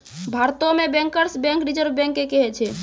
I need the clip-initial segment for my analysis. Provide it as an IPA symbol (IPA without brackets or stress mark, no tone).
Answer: bʱ